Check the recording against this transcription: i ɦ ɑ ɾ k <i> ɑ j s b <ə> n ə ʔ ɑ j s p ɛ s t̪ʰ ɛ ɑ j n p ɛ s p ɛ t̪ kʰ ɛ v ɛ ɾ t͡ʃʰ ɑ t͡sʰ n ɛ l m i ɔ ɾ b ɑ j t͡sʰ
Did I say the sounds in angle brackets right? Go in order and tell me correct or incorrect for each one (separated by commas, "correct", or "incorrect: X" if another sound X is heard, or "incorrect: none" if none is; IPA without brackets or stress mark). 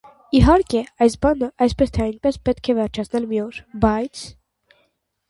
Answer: incorrect: ɛ, incorrect: ɑ